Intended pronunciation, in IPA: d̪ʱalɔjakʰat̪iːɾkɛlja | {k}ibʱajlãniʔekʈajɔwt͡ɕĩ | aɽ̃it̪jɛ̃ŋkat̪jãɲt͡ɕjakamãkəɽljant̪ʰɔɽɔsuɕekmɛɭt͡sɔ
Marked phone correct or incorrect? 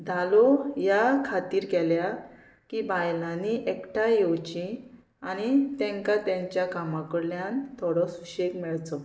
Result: correct